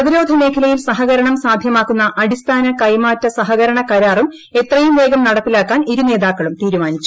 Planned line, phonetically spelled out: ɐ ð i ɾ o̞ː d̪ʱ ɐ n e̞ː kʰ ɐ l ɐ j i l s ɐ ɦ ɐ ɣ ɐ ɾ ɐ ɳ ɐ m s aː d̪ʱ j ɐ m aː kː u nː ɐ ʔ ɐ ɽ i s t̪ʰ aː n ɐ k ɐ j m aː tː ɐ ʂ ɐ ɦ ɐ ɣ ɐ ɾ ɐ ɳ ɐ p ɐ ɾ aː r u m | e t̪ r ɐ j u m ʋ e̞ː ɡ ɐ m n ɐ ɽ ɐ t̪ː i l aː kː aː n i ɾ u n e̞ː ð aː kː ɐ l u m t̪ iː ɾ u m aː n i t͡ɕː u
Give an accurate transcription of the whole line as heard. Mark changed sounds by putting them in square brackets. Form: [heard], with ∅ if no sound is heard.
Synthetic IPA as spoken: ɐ ð i ɾ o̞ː d̪ʱ ɐ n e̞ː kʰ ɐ l ɐ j i l s ɐ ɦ ɐ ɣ ɐ ɾ ɐ ɳ ɐ m s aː d̪ʱ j ɐ m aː kː u nː ɐ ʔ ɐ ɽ i s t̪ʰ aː n ɐ k ɐ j m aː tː ɐ [s] ɐ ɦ ɐ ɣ ɐ ɾ ɐ ɳ ɐ [k] ɐ ɾ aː r u m | e t̪ r ɐ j u m ʋ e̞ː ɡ ɐ m n ɐ ɽ ɐ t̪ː i l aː kː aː n i ɾ u n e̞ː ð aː kː ɐ [ɭ] u m t̪ iː ɾ u m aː n i t͡ɕː u

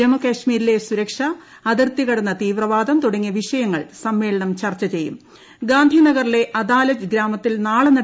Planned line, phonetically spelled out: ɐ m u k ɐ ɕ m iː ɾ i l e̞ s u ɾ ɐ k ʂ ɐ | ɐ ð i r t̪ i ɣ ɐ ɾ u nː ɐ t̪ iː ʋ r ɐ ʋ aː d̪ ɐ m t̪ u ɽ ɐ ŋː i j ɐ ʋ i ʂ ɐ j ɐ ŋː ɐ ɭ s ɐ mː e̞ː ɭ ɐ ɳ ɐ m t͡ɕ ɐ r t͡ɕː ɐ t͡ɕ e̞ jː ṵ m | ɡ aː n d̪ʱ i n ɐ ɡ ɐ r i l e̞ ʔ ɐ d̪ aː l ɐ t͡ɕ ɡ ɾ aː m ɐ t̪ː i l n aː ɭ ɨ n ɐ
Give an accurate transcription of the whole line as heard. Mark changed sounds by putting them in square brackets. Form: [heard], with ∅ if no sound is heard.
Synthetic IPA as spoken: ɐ m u k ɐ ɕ m iː ɾ i l e̞ s u ɾ ɐ k ʂ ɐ | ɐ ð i r t̪ i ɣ ɐ [ɽ] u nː ɐ t̪ iː ʋ r ɐ ʋ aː d̪ ɐ m t̪ u ɽ ɐ ŋː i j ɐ ʋ i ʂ ɐ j ɐ ŋː ɐ ɭ s ɐ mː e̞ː ɭ ɐ ɳ ɐ m t͡ɕ ɐ r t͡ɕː ɐ t͡ɕ e̞ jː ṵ m | ɡ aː n d̪ʱ i n ɐ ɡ ɐ r i l e̞ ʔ ɐ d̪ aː l ɐ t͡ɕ ɡ ɾ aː m ɐ t̪ː i l n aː ɭ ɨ n ɐ

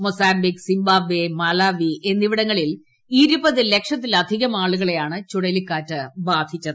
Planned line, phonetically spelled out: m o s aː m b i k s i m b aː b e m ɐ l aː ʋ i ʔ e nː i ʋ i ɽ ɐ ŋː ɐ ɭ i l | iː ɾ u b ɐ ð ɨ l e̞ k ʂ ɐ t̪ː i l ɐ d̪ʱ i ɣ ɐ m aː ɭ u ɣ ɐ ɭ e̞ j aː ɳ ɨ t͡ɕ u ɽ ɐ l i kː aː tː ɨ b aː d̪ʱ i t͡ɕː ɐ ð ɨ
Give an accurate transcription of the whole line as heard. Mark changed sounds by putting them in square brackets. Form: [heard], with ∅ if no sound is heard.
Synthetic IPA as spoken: m o s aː m b i k s i m b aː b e m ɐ l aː ʋ i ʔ e nː i ʋ i ɽ ɐ ŋː ɐ ɭ i l | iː ɾ u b ɐ ð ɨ l e̞ k ʂ ɐ t̪ː i l ɐ d̪ʱ i ɣ ɐ m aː ɭ u ɣ ɐ ɭ e̞ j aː ɳ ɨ t͡ɕ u ɽ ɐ l i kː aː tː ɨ b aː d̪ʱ i t͡ɕː ɐ ð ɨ

